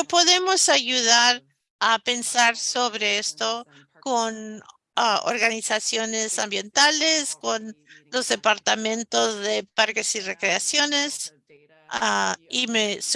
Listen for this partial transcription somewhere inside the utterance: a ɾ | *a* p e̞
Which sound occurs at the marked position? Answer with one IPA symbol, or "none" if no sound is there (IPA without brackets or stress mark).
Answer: a